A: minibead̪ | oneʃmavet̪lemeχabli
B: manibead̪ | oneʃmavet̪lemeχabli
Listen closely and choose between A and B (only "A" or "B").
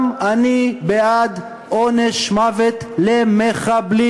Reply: B